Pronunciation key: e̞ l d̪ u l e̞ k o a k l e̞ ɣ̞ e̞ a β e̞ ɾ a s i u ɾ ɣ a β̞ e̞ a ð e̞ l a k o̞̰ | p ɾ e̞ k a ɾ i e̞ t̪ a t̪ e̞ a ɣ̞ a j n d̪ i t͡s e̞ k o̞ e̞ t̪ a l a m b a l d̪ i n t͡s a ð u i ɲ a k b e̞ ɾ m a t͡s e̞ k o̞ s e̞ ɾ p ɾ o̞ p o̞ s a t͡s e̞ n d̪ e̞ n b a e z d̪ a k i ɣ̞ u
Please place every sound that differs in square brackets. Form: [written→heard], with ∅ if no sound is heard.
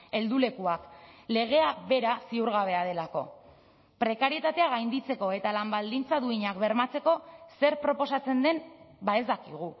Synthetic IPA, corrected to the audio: e̞ l d̪ u l e̞ k [o→u] a k l e̞ ɣ̞ e̞ a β e̞ ɾ a s i u ɾ ɣ a β̞ e̞ a ð e̞ l a k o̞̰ | p ɾ e̞ k a ɾ i e̞ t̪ a t̪ e̞ a ɣ̞ a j n d̪ i t͡s e̞ k o̞ e̞ t̪ a l a m b a l d̪ i n t͡s a ð u i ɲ a k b e̞ ɾ m a t͡s e̞ k o̞ s e̞ ɾ p ɾ o̞ p o̞ s a t͡s e̞ n d̪ e̞ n b a e z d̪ a k i ɣ̞ u